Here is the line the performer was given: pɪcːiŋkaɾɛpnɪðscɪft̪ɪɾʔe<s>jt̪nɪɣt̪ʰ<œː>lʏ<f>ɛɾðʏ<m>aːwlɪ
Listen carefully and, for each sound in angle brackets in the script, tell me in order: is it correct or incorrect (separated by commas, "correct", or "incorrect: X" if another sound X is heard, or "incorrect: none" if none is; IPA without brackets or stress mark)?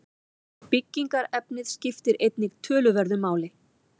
incorrect: none, correct, incorrect: v, correct